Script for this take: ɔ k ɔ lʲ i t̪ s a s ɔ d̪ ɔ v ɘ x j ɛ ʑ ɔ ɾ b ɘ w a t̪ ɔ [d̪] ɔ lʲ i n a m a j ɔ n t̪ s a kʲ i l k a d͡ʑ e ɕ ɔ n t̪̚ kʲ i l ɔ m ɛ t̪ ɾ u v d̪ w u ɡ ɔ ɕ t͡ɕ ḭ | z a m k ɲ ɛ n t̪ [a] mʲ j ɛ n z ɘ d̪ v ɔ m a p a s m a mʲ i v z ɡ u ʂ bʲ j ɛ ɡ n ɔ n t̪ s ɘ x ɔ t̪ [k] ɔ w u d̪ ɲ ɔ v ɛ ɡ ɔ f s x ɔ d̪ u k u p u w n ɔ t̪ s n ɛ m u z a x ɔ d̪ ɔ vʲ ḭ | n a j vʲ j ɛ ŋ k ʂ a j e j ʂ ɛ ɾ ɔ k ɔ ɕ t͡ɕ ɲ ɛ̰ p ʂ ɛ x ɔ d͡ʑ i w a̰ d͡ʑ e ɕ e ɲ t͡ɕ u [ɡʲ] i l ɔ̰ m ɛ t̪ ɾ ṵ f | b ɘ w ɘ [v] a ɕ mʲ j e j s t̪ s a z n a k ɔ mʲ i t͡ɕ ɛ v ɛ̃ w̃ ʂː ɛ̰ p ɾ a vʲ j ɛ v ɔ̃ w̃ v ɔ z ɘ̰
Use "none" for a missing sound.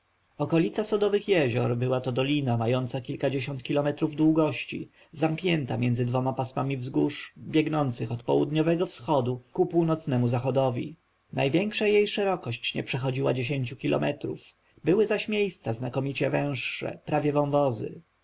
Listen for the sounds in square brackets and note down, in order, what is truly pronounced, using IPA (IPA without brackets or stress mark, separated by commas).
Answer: d̪, a, p, kʲ, z